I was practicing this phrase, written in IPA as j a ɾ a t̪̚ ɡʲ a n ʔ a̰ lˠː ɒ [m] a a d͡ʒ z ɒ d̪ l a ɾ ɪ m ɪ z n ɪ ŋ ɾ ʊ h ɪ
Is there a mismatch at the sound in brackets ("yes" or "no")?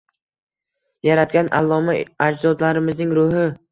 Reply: no